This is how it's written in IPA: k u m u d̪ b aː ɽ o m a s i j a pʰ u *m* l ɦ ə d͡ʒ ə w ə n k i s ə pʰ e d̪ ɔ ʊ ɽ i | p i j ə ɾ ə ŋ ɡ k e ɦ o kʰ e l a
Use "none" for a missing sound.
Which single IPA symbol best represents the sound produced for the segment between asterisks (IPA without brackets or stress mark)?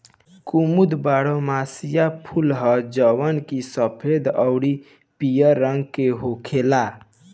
none